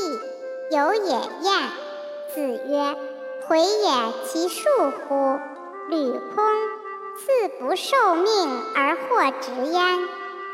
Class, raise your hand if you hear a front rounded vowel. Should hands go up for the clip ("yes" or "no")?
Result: yes